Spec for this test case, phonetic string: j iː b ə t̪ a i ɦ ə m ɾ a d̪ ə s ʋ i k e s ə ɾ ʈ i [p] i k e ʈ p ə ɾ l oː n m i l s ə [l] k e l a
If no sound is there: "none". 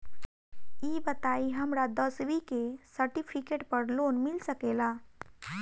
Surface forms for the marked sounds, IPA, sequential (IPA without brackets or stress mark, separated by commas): pʰ, none